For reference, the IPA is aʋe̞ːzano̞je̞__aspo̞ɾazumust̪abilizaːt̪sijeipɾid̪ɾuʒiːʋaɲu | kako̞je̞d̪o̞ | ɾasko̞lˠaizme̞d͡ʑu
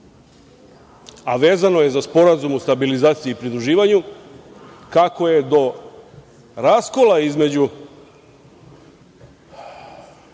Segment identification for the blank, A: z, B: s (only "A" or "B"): A